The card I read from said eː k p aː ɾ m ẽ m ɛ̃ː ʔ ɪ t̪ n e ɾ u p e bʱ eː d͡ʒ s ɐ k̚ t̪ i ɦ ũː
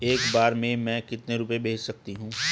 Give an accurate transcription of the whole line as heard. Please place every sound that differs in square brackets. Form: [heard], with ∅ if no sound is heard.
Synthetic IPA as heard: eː k [b] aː ɾ m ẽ m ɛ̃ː [k] ɪ t̪ n e ɾ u p e bʱ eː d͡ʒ s ɐ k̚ t̪ i ɦ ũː